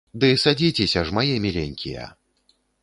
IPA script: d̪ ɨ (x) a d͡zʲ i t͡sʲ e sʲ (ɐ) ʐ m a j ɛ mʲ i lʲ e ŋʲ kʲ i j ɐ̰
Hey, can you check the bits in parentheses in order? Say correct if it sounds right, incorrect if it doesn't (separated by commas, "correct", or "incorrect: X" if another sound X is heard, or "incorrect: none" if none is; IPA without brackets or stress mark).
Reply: incorrect: s, correct